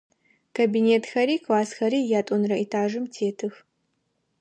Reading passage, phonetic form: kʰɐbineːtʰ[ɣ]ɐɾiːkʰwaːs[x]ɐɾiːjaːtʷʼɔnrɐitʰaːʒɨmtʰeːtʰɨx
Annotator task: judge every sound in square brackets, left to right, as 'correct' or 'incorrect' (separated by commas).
incorrect, correct